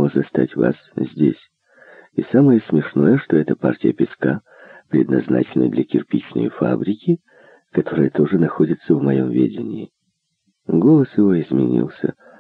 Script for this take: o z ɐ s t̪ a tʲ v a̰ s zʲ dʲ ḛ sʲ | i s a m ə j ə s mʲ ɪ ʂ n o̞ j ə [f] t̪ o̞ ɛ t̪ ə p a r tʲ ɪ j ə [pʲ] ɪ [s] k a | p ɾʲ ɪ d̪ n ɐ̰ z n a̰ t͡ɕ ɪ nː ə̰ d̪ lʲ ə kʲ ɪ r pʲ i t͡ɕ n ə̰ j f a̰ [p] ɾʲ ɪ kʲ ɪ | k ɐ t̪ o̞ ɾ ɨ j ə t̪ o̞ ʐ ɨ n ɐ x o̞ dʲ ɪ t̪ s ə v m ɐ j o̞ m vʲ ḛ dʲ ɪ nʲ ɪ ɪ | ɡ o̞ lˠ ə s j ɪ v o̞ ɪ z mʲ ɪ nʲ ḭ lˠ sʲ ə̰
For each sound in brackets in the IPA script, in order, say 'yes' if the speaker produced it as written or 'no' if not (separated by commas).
no, yes, yes, no